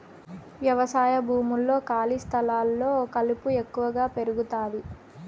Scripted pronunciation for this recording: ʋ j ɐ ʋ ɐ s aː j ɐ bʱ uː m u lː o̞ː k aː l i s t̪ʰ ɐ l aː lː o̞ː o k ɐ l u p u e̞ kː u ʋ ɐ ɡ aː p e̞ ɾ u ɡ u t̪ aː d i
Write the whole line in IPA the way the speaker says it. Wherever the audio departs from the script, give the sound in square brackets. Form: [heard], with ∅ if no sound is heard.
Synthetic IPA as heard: ʋ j ɐ ʋ ɐ s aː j ɐ bʱ uː m u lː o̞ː k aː l i s t̪ʰ ɐ l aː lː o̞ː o k ɐ l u p u e̞ kː u ʋ ɐ ɡ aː p e̞ ɾ u ɡ u t̪ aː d i